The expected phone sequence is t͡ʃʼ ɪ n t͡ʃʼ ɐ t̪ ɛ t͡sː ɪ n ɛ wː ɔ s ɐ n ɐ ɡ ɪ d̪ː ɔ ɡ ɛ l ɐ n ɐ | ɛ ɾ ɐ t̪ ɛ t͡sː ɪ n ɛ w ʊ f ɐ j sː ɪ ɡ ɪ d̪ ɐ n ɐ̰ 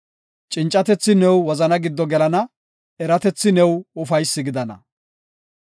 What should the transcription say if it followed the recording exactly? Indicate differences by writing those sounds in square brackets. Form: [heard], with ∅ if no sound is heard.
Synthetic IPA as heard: t͡ʃʼ ɪ n t͡ʃʼ ɐ t̪ ɛ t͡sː ɪ n ɛ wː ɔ [z] ɐ n ɐ ɡ ɪ d̪ː ɔ ɡ ɛ l ɐ n ɐ | ɛ ɾ ɐ t̪ ɛ t͡sː ɪ n ɛ w ʊ f ɐ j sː ɪ ɡ ɪ d̪ ɐ n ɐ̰